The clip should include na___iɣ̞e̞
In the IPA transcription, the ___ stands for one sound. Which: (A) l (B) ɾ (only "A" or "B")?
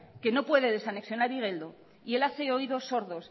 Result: B